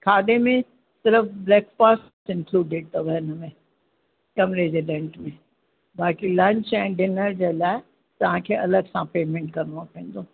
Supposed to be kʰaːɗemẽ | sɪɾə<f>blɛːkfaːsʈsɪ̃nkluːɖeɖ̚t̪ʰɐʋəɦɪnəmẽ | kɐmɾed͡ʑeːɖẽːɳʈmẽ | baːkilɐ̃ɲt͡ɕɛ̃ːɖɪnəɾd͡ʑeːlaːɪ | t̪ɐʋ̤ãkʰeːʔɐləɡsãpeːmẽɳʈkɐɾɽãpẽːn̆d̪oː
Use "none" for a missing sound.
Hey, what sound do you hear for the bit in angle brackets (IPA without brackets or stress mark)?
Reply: f